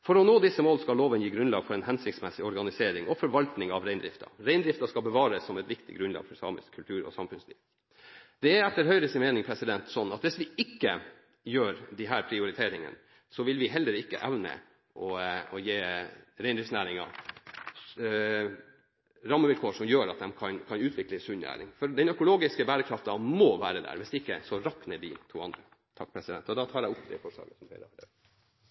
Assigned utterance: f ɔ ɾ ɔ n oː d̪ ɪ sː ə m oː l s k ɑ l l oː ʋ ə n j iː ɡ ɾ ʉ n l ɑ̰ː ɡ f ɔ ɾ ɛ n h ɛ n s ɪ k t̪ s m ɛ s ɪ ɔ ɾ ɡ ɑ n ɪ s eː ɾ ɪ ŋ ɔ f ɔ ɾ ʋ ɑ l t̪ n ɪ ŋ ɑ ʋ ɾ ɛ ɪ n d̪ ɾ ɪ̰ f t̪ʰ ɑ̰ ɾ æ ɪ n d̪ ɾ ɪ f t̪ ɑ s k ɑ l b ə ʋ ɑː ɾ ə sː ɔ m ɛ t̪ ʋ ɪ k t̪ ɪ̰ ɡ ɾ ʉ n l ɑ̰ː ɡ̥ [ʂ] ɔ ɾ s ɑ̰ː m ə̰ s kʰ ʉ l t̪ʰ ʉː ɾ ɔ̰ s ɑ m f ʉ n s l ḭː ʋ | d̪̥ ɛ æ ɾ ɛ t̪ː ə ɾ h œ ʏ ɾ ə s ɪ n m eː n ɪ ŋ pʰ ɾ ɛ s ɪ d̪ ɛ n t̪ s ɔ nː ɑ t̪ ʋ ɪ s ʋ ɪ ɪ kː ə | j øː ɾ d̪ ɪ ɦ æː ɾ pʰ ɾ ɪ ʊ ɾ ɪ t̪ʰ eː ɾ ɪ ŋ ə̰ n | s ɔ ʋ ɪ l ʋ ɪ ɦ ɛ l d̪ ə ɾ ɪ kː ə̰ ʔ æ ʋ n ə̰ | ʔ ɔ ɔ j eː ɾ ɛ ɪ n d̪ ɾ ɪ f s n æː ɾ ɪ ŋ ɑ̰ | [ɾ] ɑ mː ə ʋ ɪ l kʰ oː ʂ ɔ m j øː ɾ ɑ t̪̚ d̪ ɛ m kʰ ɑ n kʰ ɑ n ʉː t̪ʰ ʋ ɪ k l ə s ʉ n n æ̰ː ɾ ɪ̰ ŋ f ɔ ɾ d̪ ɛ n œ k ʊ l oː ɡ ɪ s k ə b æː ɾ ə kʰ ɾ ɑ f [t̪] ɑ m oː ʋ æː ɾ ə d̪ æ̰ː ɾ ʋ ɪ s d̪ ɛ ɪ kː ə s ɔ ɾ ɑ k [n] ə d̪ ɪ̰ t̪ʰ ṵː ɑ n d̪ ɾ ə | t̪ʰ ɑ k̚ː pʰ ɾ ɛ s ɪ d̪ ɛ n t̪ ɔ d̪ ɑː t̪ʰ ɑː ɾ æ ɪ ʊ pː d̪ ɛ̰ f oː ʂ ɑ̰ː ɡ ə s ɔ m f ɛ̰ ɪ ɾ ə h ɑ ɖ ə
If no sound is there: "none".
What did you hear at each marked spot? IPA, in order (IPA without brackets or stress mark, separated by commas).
f, ɾ, t̪, n